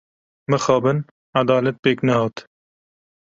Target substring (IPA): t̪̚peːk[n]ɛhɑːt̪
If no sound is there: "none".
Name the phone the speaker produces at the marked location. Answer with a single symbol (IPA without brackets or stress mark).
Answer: n